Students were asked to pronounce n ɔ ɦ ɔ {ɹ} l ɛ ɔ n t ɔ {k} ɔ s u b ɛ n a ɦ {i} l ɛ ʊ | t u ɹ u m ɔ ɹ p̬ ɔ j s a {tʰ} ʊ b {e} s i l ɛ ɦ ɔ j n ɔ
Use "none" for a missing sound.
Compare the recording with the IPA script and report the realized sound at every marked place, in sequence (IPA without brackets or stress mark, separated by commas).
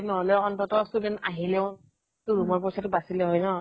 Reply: none, t, i, t, a